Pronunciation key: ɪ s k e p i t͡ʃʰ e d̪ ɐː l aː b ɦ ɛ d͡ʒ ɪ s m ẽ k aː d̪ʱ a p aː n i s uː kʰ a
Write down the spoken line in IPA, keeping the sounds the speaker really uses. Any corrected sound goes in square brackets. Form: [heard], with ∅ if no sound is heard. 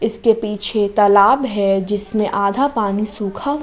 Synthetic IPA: ɪ s k e p [iː] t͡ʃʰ e [t̪] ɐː l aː b ɦ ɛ d͡ʒ ɪ s m ẽ [ʔ] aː d̪ʱ a p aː n i s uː kʰ a